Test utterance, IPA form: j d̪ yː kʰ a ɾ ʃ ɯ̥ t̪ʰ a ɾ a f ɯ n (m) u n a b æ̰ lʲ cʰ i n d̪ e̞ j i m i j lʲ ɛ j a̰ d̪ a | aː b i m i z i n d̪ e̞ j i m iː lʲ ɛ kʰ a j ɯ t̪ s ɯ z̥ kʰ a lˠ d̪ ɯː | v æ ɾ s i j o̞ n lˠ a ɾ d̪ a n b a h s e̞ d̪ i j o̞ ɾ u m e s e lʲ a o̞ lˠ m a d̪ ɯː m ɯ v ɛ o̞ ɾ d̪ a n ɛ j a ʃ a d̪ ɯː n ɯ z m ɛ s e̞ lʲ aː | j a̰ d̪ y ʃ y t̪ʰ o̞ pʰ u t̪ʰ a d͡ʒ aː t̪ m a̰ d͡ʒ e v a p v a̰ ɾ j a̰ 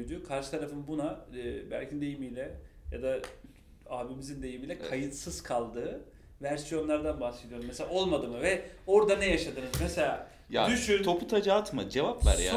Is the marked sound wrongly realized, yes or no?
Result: yes